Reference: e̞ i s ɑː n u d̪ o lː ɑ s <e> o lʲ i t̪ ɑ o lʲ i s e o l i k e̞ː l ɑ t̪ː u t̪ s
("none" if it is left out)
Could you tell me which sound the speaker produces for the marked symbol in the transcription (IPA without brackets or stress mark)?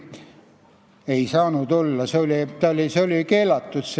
e